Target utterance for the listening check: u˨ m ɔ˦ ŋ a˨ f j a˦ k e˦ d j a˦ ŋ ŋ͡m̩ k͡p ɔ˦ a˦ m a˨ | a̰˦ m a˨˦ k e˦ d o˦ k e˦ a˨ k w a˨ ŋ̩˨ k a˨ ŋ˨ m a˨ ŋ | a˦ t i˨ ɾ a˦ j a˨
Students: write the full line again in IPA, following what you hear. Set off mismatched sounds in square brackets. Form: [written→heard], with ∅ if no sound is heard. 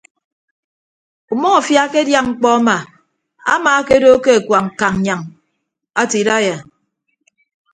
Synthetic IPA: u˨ m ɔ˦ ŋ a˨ f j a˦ k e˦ d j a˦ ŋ ŋ͡m̩ k͡p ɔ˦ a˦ m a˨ | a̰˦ m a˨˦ k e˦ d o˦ k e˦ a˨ k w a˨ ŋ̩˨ k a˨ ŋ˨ [m→ɲ] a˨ ŋ | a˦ t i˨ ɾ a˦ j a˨